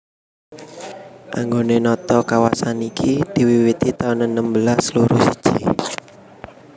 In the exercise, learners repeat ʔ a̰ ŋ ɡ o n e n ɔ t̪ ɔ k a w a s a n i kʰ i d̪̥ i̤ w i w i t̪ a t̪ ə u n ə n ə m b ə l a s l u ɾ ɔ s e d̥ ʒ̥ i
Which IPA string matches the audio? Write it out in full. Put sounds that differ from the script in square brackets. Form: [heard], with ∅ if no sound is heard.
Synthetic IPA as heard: ʔ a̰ ŋ ɡ o n e n ɔ t̪ ɔ k a w a s a n i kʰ i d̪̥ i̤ w i w i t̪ [i] t̪ [a] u n ə n ə m b ə l a s l u ɾ [u] s [i] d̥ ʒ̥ i